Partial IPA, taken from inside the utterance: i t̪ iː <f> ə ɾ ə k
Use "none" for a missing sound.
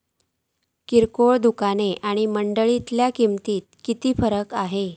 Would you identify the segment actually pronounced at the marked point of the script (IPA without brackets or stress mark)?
f